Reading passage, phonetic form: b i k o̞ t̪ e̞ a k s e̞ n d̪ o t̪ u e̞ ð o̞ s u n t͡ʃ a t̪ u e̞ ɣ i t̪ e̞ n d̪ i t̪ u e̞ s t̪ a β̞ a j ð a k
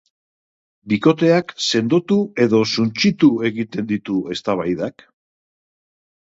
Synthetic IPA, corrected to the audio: b i k o̞ t̪ e̞ a k s e̞ n d̪ o t̪ u e̞ ð o̞ s u n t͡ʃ i t̪ u e̞ ɣ i t̪ e̞ n d̪ i t̪ u e̞ s t̪ a β̞ a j ð a k